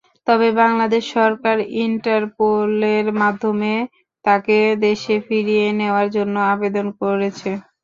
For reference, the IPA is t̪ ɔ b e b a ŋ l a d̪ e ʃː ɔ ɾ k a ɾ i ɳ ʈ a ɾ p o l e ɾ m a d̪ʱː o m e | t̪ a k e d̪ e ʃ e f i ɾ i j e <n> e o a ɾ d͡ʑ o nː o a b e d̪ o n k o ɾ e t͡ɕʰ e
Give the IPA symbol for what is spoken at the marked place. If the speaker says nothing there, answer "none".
n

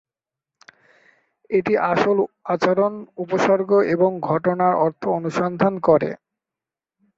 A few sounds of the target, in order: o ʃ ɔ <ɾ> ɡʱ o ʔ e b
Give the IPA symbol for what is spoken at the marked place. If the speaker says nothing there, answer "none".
ɾ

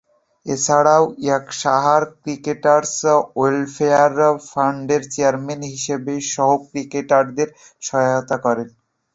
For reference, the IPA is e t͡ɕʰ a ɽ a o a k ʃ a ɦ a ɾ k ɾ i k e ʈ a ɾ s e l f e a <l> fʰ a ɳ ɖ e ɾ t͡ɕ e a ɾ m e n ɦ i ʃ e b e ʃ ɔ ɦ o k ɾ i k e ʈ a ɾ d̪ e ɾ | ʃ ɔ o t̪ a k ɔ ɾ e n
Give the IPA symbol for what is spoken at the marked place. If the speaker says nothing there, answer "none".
ɾ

